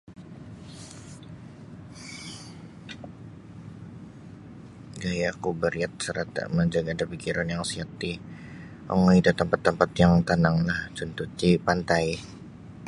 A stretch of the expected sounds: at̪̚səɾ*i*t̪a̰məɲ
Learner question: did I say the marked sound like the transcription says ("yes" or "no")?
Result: no